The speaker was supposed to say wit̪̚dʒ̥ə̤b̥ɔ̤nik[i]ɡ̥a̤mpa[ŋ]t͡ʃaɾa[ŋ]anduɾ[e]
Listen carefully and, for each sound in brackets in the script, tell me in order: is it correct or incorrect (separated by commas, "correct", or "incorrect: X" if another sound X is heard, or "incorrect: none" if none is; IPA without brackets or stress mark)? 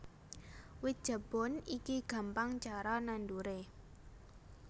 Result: correct, correct, incorrect: n, correct